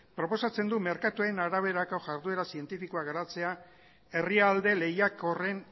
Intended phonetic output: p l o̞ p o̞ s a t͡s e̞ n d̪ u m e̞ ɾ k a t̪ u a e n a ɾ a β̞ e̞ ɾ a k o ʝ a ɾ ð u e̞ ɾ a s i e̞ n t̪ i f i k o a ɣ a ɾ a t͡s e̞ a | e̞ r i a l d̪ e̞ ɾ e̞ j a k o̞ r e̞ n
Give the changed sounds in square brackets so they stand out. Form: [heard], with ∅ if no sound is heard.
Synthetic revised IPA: p [ɾ] o̞ p o̞ s a t͡s e̞ n d̪ u m e̞ ɾ k a t̪ u a e n a ɾ a β̞ e̞ ɾ a k o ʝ a ɾ ð u e̞ ɾ a s i e̞ n t̪ i f i k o a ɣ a ɾ a t͡s e̞ a | e̞ r i a l d̪ e̞ [l] e̞ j a k o̞ r e̞ n